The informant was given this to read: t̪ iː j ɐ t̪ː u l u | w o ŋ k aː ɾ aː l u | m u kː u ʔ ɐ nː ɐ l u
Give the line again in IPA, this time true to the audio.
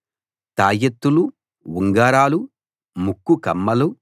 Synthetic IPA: t̪ aː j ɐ t̪ː u l u | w u ŋ ɡ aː ɾ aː l u | m u kː u k ɐ mː ɐ l u